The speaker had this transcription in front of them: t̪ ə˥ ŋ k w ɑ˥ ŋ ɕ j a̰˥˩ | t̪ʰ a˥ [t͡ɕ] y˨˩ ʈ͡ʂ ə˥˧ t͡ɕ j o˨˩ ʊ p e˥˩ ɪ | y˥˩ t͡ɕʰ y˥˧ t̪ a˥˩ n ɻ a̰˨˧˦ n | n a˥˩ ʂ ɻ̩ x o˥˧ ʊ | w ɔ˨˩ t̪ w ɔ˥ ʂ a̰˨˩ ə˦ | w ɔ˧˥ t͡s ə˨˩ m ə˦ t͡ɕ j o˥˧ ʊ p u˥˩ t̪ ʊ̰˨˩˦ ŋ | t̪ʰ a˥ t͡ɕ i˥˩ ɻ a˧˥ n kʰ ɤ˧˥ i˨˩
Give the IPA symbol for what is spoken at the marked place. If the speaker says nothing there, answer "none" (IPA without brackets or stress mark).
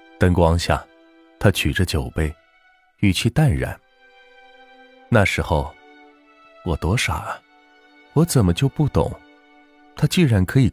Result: t͡ɕʰ